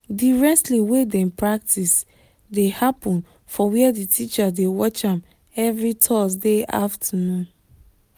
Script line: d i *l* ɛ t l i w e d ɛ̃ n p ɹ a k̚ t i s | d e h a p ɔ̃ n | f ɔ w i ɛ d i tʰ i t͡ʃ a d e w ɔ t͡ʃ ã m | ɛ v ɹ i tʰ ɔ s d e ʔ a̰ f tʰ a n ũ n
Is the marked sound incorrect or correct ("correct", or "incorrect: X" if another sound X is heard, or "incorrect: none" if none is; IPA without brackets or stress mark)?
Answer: incorrect: ɹ